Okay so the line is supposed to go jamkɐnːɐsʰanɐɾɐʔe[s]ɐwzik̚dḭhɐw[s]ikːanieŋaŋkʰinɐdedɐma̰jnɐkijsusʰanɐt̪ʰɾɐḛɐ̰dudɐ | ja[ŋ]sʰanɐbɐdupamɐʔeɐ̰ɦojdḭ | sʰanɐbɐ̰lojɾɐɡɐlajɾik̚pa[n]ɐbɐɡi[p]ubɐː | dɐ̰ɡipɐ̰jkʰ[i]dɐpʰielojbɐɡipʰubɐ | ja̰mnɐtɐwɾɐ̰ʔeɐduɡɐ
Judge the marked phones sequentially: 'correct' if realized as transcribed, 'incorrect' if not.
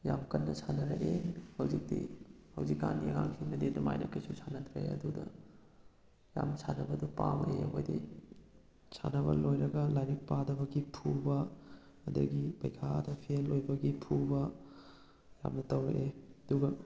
incorrect: h, incorrect: z, incorrect: m, incorrect: d, incorrect: pʰ, incorrect: a

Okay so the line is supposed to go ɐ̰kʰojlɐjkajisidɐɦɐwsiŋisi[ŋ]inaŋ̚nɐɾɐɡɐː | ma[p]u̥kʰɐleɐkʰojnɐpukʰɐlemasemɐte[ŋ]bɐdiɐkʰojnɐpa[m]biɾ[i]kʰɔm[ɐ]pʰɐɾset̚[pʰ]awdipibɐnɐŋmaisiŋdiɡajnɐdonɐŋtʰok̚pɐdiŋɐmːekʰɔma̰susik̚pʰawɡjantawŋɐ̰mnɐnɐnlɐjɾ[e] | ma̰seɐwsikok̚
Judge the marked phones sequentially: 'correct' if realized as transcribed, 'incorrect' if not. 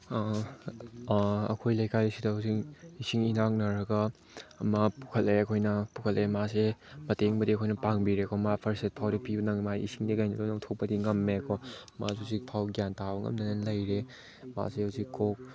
correct, correct, correct, incorrect: ŋ, incorrect: e, incorrect: a, correct, correct

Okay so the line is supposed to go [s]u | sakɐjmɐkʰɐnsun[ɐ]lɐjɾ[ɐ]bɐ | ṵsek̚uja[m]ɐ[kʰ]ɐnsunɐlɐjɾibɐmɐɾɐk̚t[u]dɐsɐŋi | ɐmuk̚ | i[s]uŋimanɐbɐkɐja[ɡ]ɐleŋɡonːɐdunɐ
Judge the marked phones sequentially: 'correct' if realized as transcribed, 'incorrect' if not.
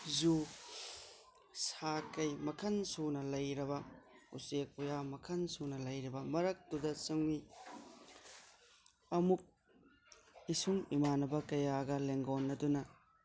incorrect: z, correct, correct, correct, correct, correct, correct, correct

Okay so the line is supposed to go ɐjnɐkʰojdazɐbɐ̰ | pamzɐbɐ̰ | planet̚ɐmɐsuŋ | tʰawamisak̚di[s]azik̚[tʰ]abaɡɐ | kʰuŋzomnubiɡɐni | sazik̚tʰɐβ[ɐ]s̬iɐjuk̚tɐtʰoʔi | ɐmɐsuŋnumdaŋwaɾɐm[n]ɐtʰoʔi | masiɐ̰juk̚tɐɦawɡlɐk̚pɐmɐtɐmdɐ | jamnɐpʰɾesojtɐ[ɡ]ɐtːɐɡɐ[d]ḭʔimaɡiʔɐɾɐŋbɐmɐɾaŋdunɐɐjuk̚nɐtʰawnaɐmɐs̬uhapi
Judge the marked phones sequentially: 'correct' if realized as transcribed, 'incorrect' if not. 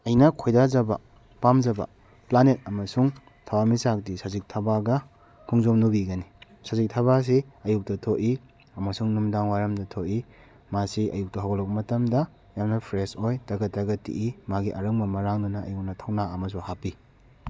correct, correct, incorrect: a, incorrect: d, correct, incorrect: t

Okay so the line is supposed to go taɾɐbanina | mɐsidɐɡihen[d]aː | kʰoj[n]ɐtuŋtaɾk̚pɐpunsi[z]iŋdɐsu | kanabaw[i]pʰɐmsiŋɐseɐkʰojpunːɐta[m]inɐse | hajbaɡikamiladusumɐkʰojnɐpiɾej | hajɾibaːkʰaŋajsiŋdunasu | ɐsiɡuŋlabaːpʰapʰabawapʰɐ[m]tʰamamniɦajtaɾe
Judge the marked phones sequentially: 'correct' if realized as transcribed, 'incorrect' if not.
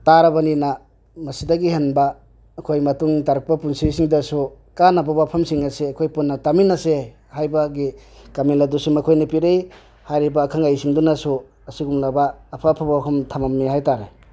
incorrect: b, incorrect: m, incorrect: s, incorrect: a, correct, correct

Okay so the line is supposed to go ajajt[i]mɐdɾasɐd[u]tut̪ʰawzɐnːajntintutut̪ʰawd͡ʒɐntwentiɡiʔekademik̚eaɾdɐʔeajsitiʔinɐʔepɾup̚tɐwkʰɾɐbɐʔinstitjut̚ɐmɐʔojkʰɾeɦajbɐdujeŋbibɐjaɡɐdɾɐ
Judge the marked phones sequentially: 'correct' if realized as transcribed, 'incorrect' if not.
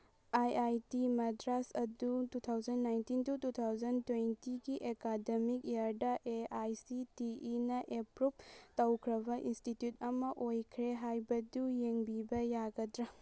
correct, correct

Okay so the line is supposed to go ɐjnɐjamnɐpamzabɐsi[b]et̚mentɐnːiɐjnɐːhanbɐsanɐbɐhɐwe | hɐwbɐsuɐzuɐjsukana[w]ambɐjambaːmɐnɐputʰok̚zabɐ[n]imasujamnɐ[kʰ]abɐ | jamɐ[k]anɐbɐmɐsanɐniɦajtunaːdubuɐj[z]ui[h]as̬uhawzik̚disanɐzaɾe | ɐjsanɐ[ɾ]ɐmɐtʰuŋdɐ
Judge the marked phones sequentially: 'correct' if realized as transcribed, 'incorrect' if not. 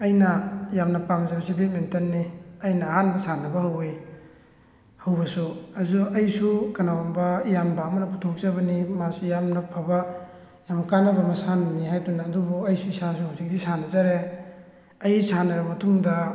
correct, correct, correct, incorrect: pʰ, correct, incorrect: s, incorrect: s, correct

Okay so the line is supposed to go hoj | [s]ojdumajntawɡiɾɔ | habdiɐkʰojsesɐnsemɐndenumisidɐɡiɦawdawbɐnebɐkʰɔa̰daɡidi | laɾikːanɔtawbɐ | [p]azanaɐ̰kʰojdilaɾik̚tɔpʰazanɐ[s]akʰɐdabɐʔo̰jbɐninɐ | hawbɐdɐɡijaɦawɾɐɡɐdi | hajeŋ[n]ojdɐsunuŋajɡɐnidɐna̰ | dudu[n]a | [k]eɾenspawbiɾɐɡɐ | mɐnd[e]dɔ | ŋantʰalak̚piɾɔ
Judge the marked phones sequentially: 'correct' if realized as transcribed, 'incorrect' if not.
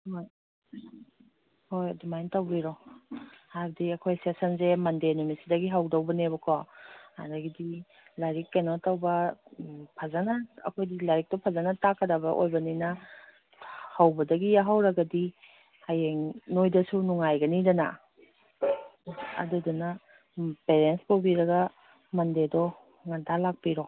incorrect: h, incorrect: pʰ, incorrect: t, correct, correct, incorrect: p, correct

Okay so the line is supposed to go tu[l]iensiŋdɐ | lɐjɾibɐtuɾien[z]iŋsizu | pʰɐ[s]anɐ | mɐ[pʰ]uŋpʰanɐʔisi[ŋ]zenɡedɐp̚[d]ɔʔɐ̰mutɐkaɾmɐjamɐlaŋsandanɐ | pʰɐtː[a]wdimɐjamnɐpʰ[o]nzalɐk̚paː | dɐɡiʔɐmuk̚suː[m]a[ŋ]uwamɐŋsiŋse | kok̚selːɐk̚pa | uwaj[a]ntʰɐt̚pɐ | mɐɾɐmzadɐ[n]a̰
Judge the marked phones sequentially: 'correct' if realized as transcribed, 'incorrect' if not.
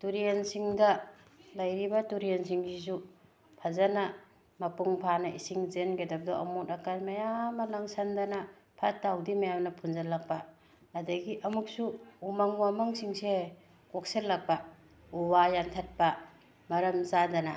incorrect: ɾ, incorrect: s, incorrect: z, incorrect: p, correct, correct, correct, incorrect: u, correct, correct, correct, correct

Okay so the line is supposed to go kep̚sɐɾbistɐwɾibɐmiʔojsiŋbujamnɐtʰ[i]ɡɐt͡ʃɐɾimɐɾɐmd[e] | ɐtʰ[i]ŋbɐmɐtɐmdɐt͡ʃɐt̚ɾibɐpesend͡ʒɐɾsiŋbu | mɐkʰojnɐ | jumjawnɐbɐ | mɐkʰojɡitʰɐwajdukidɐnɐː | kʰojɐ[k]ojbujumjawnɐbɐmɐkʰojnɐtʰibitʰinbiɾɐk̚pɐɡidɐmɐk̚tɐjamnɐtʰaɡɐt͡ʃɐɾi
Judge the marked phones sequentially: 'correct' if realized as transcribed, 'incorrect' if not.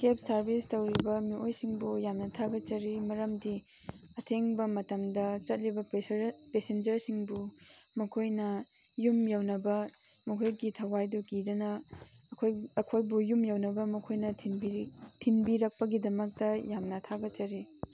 incorrect: a, incorrect: i, incorrect: e, incorrect: kʰ

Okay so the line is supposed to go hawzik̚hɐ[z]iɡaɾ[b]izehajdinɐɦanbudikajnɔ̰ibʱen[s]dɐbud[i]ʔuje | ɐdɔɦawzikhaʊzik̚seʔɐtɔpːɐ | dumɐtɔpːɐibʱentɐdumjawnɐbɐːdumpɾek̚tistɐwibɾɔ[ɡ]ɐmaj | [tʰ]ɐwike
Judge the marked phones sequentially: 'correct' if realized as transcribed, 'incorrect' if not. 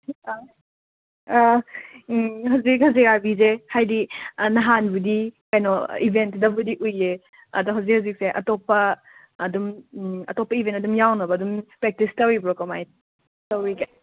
correct, correct, incorrect: t, correct, incorrect: k, incorrect: t

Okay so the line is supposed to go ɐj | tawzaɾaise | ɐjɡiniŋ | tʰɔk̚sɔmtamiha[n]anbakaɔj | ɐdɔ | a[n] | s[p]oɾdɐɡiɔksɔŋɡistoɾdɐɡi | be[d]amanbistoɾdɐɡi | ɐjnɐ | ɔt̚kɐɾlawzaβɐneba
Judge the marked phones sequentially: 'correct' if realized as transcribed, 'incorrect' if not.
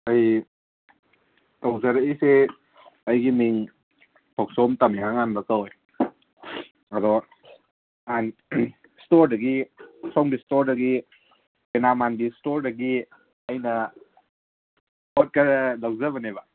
incorrect: ŋ, correct, incorrect: t, incorrect: n

